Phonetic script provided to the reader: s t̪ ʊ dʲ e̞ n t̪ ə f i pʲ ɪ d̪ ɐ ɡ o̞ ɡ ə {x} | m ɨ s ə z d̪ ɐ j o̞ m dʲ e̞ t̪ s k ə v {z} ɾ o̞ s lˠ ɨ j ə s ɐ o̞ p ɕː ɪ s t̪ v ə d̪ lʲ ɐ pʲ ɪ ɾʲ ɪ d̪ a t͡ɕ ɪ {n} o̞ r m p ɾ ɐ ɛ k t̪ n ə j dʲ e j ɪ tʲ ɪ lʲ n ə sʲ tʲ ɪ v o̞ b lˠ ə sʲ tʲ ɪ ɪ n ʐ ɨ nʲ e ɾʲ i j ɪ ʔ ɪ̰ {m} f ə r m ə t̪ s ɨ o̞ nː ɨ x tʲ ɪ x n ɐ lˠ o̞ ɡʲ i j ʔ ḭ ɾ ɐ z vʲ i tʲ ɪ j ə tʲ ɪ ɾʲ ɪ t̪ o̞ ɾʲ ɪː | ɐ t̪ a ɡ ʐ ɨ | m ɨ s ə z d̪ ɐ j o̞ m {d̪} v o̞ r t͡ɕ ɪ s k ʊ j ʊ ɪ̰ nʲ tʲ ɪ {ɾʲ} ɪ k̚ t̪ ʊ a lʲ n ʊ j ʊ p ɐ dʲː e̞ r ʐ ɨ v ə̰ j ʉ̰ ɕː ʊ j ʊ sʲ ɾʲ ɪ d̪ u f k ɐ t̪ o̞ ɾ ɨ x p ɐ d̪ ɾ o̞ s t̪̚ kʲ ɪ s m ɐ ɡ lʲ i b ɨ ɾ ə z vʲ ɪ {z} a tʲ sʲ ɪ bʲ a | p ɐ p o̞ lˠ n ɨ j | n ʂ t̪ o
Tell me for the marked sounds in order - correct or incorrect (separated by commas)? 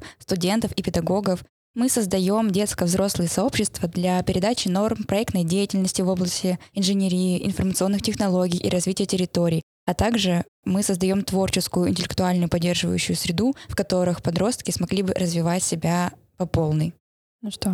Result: incorrect, correct, correct, incorrect, incorrect, incorrect, incorrect